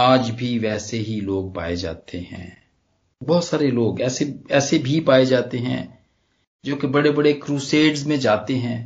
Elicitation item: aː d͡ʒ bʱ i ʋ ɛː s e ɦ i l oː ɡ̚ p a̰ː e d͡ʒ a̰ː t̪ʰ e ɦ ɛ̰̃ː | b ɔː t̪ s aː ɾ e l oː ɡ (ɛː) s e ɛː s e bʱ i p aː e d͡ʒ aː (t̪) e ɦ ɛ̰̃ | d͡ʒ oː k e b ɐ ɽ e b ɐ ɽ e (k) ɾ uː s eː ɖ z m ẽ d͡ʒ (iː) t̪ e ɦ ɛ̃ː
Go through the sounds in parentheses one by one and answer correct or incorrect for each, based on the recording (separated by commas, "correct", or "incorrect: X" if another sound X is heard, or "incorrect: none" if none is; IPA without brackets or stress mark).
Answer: correct, correct, correct, incorrect: aː